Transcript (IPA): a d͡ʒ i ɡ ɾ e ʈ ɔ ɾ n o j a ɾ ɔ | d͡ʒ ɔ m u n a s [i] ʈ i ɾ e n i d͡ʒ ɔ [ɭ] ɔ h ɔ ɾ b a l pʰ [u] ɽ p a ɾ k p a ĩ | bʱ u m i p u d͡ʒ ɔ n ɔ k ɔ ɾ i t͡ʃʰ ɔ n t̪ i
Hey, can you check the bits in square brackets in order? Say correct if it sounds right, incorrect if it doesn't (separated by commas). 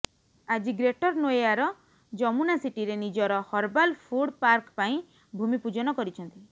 correct, incorrect, correct